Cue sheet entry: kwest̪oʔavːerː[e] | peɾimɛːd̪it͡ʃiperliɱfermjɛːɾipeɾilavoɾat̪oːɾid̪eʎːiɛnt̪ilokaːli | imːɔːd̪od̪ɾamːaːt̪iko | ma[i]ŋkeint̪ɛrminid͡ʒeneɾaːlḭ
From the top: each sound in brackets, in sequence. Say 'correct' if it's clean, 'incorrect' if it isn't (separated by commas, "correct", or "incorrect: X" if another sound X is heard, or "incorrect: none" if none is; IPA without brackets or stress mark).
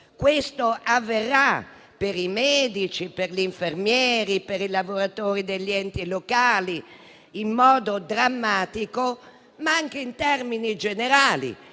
incorrect: a, incorrect: a